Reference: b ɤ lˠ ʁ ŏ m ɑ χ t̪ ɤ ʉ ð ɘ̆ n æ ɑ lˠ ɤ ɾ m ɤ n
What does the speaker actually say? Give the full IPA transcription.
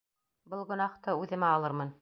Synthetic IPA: b ɤ lˠ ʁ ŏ n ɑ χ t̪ ɤ ʉ ð ɘ̆ m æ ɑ lˠ ɤ ɾ m ɤ n